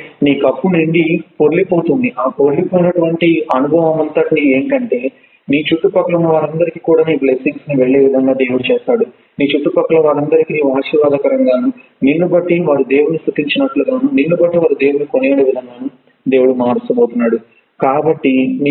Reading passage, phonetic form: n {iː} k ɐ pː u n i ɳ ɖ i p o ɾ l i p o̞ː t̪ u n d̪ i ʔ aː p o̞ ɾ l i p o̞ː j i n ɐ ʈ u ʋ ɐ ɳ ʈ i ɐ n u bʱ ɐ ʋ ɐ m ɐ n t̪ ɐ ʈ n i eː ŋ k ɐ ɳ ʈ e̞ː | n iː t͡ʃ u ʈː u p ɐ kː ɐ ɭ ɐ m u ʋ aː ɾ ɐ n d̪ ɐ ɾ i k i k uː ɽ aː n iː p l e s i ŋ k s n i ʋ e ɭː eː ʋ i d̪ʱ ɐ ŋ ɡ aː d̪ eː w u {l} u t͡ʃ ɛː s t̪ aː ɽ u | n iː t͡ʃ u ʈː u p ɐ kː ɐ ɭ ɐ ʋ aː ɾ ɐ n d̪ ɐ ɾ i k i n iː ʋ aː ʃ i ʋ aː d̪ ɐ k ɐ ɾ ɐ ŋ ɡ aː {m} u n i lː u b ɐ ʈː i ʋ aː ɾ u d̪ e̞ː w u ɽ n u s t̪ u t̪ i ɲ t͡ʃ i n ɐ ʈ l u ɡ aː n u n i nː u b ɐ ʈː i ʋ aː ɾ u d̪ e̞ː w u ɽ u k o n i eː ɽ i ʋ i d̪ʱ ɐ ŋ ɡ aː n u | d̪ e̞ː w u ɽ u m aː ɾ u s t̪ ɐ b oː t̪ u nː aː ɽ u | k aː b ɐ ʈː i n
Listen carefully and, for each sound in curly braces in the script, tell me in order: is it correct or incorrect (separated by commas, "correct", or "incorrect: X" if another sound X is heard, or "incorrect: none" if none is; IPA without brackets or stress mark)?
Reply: correct, incorrect: ɽ, incorrect: n